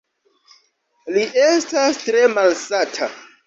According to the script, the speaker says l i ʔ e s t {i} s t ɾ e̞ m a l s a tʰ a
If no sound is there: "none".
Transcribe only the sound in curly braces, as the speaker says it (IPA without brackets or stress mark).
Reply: a